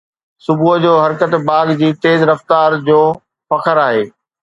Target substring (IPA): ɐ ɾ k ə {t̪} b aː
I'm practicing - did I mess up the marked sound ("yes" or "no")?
no